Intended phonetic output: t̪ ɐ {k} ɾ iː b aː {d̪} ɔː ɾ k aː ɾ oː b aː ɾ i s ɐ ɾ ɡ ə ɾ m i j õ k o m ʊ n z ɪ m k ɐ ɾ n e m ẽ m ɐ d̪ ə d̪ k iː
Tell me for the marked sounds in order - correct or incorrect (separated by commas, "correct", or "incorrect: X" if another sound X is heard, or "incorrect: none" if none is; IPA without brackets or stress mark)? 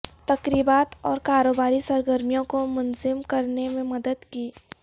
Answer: correct, incorrect: t̪